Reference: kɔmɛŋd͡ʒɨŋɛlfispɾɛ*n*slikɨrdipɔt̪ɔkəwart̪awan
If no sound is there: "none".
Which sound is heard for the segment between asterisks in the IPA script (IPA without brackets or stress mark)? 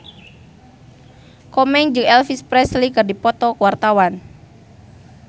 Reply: none